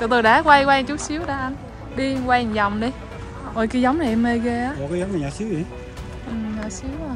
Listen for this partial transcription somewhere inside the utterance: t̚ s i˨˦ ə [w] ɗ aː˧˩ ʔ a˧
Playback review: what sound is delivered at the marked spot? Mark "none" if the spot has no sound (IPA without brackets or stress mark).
w